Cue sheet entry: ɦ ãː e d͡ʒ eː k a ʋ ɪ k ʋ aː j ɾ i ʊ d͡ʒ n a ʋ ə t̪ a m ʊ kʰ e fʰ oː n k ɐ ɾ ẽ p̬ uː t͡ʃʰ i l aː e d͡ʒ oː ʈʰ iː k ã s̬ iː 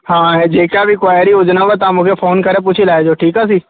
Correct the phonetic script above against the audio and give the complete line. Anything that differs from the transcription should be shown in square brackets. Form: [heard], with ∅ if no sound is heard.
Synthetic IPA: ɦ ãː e d͡ʒ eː k a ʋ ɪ k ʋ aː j ɾ i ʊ d͡ʒ n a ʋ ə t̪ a m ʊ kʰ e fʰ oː n k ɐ ɾ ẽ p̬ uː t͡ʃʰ i l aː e d͡ʒ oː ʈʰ iː k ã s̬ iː